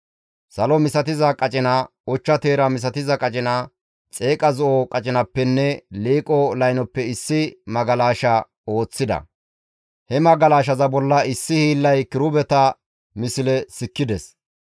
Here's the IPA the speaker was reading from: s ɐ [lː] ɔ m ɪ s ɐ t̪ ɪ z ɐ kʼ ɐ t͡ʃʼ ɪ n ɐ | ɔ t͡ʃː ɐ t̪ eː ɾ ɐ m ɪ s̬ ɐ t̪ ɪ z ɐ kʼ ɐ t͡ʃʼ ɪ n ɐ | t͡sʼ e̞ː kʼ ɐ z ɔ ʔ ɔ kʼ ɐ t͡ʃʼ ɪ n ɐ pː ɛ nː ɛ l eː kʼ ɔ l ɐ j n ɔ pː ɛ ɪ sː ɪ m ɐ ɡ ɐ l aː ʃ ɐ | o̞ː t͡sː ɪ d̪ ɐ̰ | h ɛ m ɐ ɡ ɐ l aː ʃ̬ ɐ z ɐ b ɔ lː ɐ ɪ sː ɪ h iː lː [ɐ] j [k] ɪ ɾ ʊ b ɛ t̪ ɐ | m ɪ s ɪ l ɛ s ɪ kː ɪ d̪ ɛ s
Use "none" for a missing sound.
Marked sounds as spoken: l, ɐ, k

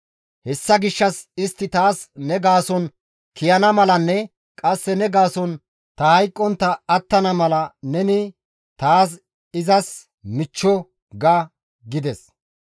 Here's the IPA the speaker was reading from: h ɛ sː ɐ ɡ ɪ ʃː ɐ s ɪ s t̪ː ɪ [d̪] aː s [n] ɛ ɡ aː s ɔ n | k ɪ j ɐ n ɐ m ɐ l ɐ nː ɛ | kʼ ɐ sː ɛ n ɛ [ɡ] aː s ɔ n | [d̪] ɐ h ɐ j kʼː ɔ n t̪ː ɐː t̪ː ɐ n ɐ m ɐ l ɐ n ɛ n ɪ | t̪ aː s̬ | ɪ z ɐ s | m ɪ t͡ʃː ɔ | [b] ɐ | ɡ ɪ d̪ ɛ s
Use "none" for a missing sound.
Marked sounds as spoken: t̪, n, ɡ, t̪, ɡ

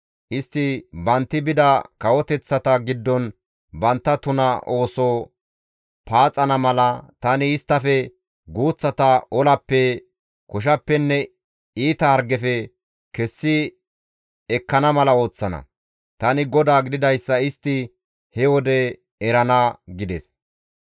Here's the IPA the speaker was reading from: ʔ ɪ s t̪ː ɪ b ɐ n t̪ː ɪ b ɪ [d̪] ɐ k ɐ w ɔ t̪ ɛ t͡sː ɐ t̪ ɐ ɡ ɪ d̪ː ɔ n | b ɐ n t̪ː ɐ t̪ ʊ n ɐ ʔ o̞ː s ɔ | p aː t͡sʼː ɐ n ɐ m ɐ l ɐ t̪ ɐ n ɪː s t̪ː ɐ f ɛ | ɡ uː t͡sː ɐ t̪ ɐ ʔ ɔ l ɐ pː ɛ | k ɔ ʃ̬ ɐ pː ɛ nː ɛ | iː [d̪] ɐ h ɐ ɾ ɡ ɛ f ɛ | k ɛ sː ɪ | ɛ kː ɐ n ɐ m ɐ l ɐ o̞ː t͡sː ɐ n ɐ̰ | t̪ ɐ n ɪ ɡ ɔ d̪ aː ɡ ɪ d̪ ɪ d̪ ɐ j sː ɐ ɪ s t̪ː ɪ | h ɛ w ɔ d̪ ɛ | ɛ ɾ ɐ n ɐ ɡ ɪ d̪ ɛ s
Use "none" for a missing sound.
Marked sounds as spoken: d̪, t̪

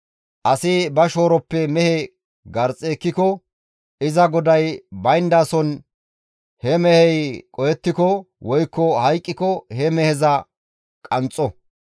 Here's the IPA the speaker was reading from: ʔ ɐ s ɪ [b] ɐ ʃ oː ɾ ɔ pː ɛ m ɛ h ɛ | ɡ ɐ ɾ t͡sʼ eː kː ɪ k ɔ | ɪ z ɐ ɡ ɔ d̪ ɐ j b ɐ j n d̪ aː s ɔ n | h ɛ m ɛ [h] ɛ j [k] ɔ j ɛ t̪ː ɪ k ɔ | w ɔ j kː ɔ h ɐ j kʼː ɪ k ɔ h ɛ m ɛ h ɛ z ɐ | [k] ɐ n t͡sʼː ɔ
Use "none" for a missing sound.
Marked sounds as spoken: b, h, kʼ, kʼ

